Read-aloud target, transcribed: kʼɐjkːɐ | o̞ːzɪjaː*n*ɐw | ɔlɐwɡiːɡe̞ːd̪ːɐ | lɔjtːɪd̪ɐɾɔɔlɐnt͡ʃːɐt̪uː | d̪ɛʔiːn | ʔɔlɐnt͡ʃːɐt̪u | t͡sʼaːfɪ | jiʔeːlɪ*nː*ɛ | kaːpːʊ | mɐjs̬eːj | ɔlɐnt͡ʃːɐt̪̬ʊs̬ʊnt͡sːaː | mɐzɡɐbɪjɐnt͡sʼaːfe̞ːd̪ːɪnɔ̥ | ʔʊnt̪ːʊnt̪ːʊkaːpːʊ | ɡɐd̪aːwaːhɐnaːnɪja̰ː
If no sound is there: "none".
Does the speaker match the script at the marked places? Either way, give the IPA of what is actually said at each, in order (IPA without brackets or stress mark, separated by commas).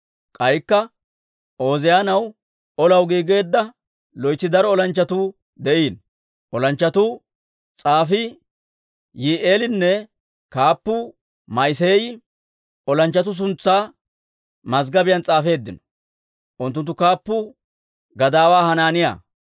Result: n, nː